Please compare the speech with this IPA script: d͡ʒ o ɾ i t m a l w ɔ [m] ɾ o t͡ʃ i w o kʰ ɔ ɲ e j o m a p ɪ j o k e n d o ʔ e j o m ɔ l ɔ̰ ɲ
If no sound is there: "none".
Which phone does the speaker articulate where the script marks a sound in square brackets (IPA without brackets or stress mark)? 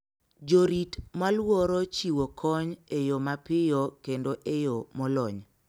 none